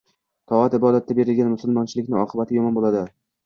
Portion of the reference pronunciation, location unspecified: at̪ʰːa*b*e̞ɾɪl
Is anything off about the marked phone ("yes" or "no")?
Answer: no